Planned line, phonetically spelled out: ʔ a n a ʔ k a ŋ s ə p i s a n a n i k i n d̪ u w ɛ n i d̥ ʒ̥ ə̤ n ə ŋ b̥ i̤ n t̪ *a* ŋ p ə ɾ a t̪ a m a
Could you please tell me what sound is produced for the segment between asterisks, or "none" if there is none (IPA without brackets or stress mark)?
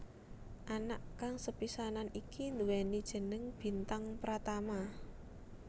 a